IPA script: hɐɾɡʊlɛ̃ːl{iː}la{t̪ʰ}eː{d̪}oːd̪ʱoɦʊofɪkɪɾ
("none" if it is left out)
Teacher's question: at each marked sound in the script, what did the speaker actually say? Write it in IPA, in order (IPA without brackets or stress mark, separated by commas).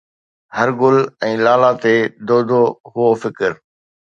aː, t̪, d̪